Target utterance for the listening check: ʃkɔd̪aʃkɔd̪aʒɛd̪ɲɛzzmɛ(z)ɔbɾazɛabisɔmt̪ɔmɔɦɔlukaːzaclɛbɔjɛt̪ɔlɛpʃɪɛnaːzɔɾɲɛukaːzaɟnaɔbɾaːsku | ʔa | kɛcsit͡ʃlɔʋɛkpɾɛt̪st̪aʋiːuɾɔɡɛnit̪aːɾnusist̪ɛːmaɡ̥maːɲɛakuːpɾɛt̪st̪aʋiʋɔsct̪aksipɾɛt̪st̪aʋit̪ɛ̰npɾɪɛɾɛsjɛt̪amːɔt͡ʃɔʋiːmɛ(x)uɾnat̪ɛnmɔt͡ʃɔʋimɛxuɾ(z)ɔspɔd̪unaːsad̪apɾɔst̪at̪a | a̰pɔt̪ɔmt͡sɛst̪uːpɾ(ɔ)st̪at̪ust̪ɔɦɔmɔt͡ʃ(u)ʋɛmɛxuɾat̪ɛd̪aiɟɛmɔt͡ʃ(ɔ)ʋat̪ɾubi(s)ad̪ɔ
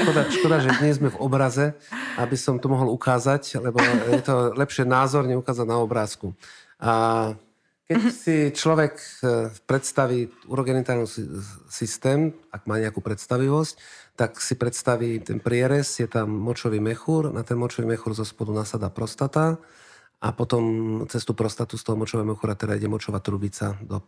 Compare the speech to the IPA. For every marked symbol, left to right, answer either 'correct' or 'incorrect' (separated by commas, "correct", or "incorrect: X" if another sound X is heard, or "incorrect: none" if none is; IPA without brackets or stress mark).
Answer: incorrect: v, correct, correct, correct, incorrect: ɔ, correct, incorrect: t͡s